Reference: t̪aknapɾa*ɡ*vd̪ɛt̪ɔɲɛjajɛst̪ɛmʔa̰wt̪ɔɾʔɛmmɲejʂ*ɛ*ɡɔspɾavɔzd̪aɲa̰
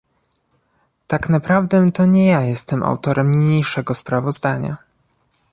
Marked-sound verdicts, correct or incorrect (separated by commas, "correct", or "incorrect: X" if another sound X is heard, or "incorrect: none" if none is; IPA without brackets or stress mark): incorrect: none, correct